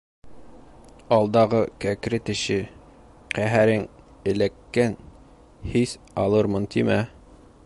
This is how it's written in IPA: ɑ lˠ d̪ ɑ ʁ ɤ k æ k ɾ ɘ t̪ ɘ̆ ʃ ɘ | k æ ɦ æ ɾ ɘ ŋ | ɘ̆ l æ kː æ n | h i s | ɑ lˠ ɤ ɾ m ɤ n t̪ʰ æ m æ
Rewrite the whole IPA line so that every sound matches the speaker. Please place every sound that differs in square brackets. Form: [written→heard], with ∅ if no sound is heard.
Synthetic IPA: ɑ lˠ d̪ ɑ ʁ ɤ k æ k ɾ ɘ t̪ ɘ̆ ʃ ɘ | [k→q] æ ɦ æ ɾ ɘ ŋ | ɘ̆ l æ kː æ n | h i s | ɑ lˠ ɤ ɾ m ɤ n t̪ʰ [æ→i] m æ